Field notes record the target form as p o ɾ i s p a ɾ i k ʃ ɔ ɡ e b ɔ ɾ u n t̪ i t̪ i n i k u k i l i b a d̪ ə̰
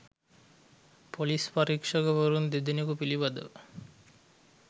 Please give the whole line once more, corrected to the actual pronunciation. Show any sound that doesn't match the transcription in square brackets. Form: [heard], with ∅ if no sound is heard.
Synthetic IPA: p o [l] i s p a ɾ i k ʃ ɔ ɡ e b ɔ ɾ u n [d̪] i [d̪] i n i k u [p] i l i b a d̪ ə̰